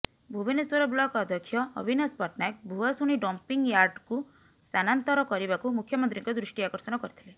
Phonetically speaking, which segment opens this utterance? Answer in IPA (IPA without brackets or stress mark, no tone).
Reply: bʱ